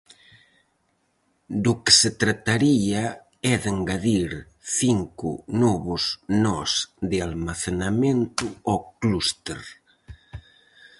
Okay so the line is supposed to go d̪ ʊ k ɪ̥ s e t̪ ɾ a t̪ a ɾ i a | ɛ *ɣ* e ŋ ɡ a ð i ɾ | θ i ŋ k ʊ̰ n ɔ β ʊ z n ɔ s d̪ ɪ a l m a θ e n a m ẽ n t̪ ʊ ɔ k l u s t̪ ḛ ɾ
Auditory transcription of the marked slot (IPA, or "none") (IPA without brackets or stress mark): ð